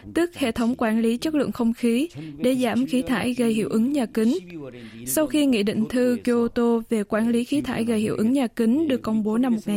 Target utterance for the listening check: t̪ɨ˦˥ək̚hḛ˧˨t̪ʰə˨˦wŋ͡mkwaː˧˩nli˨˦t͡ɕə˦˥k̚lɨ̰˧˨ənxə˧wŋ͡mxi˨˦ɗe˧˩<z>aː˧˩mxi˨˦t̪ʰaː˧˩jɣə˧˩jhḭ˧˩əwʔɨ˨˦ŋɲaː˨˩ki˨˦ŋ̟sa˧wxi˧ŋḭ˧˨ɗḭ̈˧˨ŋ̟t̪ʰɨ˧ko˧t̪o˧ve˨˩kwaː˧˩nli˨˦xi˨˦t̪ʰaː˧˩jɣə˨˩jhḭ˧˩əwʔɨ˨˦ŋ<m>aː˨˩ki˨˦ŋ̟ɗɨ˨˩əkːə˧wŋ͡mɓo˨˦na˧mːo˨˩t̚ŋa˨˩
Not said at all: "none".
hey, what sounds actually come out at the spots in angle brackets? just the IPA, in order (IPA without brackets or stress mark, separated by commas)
z, ɲ